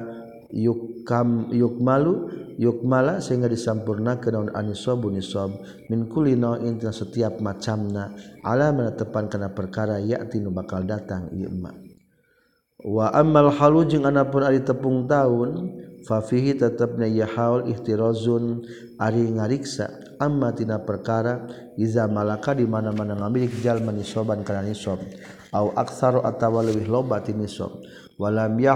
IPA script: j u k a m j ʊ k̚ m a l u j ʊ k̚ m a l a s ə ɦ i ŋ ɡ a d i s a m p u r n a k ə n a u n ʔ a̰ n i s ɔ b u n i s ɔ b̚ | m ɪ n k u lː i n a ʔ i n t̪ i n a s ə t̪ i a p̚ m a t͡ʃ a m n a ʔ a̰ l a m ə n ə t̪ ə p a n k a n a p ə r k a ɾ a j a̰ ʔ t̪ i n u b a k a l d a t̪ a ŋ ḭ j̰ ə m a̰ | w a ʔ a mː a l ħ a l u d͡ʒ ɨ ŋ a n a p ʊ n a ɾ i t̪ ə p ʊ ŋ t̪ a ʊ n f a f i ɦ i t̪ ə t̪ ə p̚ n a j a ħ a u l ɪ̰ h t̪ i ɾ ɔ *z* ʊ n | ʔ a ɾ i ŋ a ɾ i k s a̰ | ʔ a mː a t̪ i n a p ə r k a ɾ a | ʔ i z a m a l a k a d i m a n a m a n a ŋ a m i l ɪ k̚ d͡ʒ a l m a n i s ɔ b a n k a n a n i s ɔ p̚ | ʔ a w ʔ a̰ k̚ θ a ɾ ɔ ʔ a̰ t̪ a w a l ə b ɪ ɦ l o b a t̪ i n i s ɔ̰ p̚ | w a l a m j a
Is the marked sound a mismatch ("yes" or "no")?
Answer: no